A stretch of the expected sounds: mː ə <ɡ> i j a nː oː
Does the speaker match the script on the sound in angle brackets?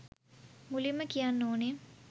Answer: no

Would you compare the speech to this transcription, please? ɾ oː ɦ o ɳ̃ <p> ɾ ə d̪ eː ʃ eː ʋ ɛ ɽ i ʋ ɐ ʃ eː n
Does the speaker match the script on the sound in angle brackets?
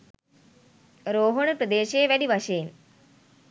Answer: yes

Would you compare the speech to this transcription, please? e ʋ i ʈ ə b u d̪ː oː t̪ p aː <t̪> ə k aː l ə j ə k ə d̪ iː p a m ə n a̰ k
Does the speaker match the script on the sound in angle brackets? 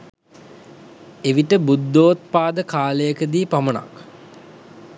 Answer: no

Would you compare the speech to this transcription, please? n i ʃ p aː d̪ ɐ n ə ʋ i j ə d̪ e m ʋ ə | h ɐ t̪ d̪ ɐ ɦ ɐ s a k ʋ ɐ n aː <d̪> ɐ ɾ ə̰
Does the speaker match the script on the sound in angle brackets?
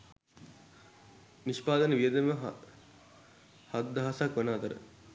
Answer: no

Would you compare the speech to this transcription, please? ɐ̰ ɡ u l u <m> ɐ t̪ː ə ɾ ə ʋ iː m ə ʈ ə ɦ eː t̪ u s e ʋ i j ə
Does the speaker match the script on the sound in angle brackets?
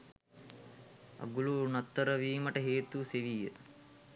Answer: no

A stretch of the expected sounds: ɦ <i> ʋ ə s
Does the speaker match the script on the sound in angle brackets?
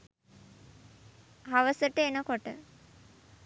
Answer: no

